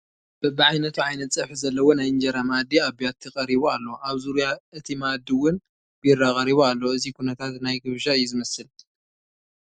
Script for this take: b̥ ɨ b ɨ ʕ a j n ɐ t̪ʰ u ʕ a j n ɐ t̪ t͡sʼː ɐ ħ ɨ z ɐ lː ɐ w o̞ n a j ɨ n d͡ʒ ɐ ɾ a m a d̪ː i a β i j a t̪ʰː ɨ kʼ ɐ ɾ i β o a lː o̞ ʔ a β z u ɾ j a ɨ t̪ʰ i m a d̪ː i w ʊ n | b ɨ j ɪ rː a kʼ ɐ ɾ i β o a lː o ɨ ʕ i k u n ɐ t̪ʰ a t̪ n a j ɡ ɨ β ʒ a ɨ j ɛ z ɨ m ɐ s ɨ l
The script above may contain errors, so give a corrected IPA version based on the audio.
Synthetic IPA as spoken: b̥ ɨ b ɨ ʕ a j n ɐ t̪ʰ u ʕ a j n ɐ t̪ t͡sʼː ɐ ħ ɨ z ɐ lː ɐ w o̞ n a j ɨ n d͡ʒ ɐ ɾ a m a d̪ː i a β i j a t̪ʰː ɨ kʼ ɐ ɾ i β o a lː o̞ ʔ a β z u ɾ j a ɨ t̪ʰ i m a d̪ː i w ʊ n | b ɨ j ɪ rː a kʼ ɐ ɾ i β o a lː o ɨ z i k u n ɐ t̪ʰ a t̪ n a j ɡ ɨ β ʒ a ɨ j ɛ z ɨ m ɐ s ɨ l